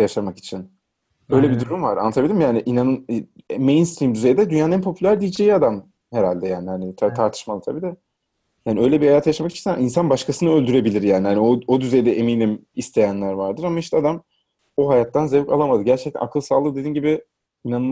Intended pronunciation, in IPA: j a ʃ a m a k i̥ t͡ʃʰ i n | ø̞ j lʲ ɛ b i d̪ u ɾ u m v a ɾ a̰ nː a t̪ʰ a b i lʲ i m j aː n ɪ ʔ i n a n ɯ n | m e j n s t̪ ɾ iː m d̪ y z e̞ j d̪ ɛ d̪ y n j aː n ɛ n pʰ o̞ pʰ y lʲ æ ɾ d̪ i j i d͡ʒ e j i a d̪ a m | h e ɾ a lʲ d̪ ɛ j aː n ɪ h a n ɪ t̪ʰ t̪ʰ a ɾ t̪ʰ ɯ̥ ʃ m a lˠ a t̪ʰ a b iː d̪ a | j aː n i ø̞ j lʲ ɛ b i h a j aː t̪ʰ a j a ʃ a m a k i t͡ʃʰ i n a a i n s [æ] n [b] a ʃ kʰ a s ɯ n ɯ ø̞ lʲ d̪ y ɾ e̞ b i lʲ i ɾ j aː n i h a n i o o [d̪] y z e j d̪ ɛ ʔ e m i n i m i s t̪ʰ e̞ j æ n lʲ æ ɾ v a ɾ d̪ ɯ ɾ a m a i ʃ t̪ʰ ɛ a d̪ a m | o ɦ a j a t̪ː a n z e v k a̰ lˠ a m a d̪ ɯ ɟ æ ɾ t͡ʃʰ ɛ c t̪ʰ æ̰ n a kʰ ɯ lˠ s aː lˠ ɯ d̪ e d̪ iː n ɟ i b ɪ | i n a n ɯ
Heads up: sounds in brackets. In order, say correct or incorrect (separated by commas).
incorrect, correct, correct